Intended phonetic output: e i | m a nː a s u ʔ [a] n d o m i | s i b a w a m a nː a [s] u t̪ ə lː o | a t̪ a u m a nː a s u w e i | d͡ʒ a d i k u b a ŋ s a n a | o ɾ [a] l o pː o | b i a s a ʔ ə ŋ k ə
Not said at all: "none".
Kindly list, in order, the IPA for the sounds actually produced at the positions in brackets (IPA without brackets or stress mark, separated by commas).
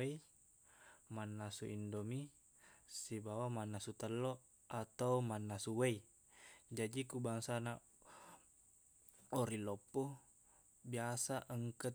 i, s, i